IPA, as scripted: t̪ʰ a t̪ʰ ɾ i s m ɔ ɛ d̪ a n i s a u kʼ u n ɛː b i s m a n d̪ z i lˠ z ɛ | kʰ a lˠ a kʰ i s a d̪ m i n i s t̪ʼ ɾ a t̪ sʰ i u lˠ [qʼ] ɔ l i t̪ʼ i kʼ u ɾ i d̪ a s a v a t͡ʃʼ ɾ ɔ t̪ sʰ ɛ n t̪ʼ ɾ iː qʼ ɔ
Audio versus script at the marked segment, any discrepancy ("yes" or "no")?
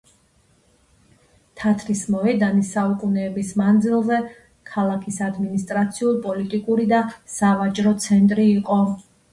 yes